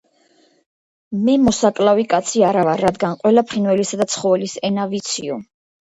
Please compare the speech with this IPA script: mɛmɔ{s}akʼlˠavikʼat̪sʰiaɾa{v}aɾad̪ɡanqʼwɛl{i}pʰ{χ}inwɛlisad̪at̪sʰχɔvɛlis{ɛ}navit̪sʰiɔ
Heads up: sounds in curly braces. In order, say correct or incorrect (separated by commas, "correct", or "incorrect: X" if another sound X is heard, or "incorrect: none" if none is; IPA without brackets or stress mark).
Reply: correct, correct, incorrect: a, correct, correct